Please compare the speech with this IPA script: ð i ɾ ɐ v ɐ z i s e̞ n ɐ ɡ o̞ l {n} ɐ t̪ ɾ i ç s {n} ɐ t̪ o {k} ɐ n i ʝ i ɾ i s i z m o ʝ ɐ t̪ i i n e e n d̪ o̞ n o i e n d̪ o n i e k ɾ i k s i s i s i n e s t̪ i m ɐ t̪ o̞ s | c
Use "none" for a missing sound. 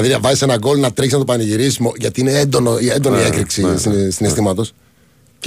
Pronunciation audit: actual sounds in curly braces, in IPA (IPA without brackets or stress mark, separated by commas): n, n, p